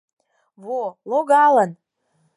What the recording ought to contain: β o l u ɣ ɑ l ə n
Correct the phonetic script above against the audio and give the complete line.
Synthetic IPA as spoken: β o l o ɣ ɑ l ə n